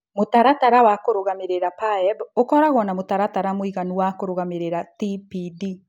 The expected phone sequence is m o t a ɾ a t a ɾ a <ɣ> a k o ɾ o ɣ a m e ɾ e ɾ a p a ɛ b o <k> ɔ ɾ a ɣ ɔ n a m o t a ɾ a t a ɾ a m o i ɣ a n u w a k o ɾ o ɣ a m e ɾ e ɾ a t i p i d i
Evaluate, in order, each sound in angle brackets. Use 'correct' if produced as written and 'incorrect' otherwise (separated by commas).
incorrect, correct